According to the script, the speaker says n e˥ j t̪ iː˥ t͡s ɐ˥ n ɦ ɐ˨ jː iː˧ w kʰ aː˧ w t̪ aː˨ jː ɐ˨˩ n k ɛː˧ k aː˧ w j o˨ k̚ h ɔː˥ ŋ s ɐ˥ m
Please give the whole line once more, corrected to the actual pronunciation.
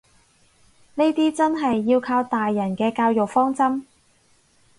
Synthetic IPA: n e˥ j t̪ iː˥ t͡s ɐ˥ n ɦ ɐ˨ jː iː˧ w kʰ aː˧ w t̪ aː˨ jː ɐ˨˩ n k ɛː˧ k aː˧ w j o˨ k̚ f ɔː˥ ŋ t͡s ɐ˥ m